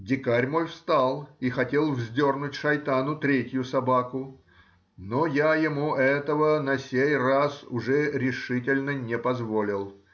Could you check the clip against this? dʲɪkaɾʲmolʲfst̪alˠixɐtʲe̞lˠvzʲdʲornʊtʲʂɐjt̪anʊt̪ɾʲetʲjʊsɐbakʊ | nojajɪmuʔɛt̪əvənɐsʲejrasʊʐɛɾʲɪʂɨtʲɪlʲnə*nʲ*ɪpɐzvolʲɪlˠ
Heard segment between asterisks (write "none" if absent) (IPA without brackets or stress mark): nʲ